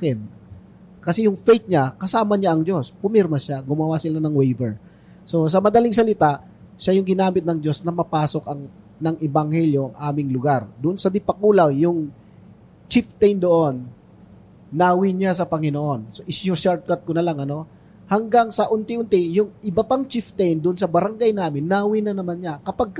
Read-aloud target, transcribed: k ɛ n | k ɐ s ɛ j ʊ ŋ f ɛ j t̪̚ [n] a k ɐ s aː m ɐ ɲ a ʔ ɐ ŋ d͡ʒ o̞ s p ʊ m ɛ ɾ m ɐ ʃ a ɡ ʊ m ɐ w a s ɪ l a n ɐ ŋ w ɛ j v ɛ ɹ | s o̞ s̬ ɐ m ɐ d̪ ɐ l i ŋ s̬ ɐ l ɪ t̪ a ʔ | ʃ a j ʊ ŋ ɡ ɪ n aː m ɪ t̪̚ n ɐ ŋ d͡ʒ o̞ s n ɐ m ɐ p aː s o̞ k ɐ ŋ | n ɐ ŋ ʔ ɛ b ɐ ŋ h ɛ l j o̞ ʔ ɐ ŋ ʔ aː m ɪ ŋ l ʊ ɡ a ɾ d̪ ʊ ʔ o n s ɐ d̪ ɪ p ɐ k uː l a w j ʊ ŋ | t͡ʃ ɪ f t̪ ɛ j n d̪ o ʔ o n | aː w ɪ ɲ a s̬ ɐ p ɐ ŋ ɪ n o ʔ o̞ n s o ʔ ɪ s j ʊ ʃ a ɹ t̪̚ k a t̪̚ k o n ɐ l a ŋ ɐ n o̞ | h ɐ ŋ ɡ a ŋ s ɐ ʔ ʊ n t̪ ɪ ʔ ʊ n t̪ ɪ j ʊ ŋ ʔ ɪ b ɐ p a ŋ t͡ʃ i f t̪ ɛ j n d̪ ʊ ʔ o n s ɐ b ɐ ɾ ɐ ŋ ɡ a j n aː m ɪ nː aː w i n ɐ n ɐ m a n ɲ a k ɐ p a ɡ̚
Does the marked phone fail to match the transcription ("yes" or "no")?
yes